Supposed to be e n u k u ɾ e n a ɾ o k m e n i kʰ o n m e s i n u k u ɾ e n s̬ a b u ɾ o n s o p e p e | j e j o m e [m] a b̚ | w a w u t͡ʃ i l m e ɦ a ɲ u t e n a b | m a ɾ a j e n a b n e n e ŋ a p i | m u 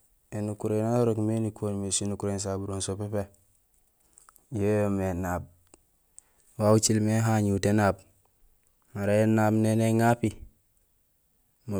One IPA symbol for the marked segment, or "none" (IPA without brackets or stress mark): n